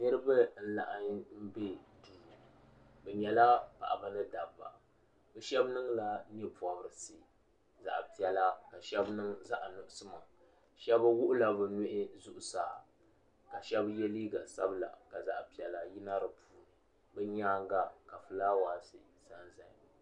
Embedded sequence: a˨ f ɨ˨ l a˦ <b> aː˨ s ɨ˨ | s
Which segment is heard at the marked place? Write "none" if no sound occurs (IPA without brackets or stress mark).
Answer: w